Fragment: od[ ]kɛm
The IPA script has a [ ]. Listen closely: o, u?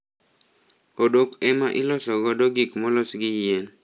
o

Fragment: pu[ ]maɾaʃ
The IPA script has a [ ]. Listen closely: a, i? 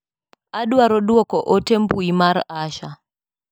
i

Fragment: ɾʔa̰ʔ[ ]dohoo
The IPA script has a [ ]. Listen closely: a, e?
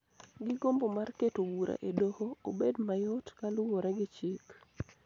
e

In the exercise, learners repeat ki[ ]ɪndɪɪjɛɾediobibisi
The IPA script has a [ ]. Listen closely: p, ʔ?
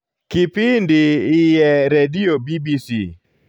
p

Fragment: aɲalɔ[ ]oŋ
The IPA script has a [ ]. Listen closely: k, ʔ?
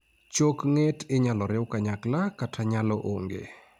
ʔ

